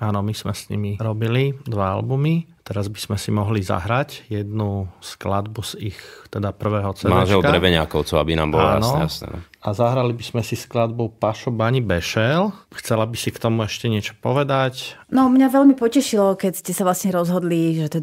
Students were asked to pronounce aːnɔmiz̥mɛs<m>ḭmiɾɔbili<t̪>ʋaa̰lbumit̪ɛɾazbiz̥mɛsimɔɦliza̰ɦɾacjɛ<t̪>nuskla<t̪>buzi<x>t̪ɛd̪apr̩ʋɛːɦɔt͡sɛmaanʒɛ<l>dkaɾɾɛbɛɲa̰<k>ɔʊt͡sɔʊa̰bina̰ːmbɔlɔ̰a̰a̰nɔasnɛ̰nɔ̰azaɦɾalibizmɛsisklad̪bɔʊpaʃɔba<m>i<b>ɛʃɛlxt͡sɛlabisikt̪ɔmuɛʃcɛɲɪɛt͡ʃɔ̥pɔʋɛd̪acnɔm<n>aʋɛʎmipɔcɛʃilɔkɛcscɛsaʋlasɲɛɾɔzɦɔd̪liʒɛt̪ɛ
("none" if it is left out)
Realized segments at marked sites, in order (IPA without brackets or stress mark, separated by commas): ɲ, d̪, d̪, d̪, x, l, k, ɲ, b, ɲ